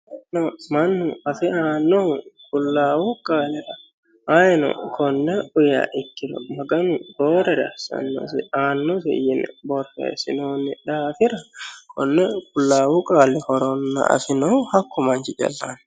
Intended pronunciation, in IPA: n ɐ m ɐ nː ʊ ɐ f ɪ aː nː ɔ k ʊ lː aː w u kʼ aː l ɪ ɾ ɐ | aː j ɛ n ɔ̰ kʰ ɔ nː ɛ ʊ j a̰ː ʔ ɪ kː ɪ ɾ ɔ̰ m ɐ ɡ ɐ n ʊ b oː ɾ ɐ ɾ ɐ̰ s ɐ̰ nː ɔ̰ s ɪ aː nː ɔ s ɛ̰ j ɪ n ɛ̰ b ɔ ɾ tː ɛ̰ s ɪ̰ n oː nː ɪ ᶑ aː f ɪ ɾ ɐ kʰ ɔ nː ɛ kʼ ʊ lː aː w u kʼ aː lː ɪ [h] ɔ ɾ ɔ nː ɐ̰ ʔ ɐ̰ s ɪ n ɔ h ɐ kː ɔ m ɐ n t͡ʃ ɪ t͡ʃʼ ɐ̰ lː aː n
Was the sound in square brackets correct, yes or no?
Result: yes